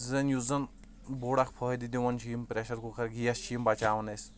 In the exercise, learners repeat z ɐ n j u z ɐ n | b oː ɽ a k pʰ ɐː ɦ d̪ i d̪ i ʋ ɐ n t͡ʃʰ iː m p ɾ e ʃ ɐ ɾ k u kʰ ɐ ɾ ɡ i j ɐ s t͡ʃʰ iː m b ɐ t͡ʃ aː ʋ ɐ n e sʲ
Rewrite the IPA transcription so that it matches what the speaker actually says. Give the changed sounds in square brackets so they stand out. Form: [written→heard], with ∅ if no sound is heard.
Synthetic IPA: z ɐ n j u z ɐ n | b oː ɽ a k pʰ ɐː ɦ d̪ i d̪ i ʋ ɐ n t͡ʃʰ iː m p ɾ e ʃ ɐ ɾ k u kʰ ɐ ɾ ɡ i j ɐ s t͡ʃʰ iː m b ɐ t͡ʃ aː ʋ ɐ n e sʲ